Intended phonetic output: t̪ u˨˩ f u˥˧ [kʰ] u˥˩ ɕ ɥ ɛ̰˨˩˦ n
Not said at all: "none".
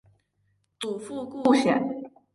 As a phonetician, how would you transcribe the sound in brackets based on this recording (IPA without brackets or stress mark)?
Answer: k